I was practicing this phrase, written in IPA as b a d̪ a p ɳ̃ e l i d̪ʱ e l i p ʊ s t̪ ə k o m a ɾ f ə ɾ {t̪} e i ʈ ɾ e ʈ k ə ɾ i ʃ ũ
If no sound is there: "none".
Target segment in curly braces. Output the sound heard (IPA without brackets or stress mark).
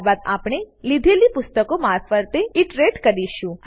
t̪